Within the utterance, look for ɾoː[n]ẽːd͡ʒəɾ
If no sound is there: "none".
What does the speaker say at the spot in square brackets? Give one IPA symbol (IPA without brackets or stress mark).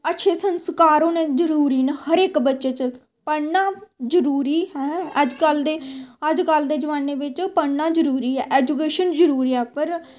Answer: n